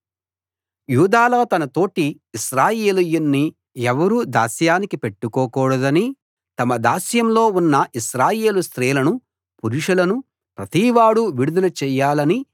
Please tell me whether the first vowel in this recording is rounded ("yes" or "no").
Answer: yes